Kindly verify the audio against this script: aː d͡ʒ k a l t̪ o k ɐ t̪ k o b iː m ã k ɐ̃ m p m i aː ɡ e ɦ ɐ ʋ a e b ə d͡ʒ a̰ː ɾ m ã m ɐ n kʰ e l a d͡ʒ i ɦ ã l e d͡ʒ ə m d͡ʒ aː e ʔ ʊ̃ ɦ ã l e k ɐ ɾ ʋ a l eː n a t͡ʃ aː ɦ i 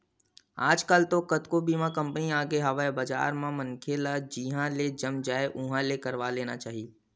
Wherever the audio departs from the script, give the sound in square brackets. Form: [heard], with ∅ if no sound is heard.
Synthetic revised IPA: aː d͡ʒ k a l t̪ o k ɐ t̪ k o b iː m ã k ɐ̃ m p [n] i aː ɡ e ɦ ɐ ʋ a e b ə d͡ʒ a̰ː ɾ m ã m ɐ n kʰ e l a d͡ʒ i ɦ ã l e d͡ʒ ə m d͡ʒ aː e ʔ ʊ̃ ɦ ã l e k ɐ ɾ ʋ a l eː n a t͡ʃ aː ɦ i